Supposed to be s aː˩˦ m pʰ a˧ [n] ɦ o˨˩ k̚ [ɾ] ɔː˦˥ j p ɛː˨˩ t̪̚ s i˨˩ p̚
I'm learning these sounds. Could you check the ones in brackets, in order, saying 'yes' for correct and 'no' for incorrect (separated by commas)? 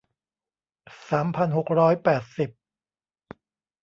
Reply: yes, yes